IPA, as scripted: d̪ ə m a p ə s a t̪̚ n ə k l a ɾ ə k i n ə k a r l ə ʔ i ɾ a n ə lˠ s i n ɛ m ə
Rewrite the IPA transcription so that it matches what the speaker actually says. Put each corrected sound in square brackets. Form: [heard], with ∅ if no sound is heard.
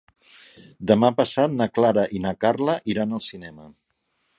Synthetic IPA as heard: d̪ ə m a p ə s a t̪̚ n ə k l a ɾ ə [ʔ] i n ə k a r l ə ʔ i ɾ a n ə lˠ s i n ɛ m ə